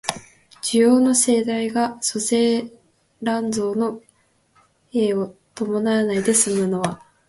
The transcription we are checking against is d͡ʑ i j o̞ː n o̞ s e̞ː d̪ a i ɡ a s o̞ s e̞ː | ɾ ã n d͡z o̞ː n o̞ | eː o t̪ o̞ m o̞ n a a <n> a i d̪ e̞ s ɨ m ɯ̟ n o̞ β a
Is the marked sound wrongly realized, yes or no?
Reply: no